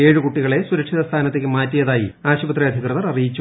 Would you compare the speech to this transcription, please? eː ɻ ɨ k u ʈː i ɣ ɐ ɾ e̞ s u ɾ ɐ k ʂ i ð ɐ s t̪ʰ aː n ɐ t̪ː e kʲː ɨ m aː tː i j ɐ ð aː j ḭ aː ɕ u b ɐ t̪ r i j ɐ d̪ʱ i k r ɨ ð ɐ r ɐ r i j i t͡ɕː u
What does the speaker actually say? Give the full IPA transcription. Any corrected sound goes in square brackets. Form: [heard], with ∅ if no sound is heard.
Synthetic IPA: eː ɻ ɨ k u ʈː i ɣ ɐ [ɭ] e̞ s u ɾ ɐ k ʂ i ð ɐ s t̪ʰ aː n ɐ t̪ː e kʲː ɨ m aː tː i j ɐ ð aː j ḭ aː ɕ u b ɐ t̪ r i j ɐ d̪ʱ i k r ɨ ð ɐ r ɐ r i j i t͡ɕː u